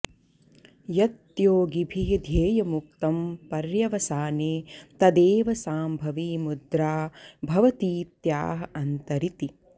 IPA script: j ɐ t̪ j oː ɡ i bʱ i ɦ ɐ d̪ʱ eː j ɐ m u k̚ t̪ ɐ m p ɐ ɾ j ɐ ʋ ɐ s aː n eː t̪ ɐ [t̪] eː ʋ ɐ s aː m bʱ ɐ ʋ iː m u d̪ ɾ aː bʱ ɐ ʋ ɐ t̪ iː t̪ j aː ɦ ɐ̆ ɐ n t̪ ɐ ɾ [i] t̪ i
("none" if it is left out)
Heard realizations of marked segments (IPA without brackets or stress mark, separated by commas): d̪, i